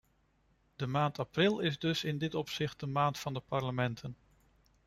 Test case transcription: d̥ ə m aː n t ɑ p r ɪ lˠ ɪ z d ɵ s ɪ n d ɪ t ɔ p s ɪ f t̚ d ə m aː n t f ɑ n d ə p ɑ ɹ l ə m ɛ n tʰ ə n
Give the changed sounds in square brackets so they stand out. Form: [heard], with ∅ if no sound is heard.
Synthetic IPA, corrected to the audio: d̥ ə m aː n t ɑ p r ɪ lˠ ɪ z d ɵ s ɪ n d ɪ t ɔ p s ɪ [χ] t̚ d ə m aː n t f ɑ n d ə p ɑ ɹ l ə m ɛ n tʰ ə n

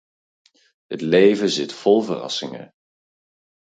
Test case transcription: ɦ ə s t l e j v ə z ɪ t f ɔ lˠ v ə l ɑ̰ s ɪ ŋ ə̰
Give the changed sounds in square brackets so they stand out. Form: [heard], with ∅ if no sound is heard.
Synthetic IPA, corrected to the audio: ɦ ə [∅] t l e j v ə z ɪ t f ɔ lˠ v ə [r] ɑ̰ s ɪ ŋ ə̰

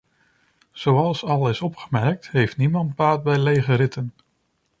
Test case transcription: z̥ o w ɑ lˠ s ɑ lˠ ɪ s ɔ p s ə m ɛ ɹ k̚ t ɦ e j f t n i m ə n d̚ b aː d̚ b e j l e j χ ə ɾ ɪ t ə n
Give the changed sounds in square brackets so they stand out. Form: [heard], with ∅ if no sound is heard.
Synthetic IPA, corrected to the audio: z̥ o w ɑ lˠ s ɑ lˠ ɪ s ɔ p [χ] ə m ɛ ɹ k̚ t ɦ e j f t n i m [ɑ] n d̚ b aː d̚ b [ɛ] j l e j χ ə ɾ ɪ t ə n

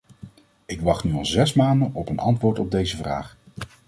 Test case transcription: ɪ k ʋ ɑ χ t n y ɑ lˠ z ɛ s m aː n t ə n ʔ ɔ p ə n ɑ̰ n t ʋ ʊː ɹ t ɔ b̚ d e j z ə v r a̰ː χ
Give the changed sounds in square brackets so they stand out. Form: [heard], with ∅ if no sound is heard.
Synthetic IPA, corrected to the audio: ɪ k ʋ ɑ χ t n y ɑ lˠ z ɛ s m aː n [d] ə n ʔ ɔ p ə n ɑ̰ n t ʋ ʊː ɹ t ɔ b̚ d e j z ə v r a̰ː χ

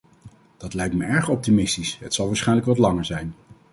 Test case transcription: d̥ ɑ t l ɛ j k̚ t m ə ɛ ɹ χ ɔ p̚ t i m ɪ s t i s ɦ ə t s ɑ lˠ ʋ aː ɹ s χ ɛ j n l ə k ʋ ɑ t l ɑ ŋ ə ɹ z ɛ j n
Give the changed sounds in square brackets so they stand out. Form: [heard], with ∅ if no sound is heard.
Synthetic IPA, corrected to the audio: d̥ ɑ t l ɛ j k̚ t m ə ɛ ɹ χ ɔ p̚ t i m ɪ s t i s ɦ ə t s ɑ lˠ ʋ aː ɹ s χ ɛ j n l ə k ʋ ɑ t l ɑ ŋ ə ɹ z ɛ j n

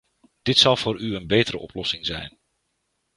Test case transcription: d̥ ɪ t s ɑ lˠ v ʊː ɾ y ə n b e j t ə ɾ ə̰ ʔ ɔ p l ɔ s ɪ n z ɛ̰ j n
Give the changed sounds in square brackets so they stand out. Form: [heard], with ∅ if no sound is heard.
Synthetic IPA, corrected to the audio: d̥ ɪ t s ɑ lˠ v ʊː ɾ y ə n b e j t ə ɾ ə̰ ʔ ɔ p l ɔ s ɪ [ŋ] z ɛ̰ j n

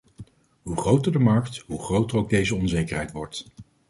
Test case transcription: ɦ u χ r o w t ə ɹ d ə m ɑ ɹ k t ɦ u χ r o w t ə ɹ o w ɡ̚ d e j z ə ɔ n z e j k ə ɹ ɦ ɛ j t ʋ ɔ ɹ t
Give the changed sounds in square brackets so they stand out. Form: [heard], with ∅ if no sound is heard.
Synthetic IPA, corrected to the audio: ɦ u χ r o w t ə ɹ d ə m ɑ ɹ k t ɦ u χ r o w t ə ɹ o w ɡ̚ d e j z ə ɔ n z e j k ə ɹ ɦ ɛ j t ʋ ɔ ɹ t

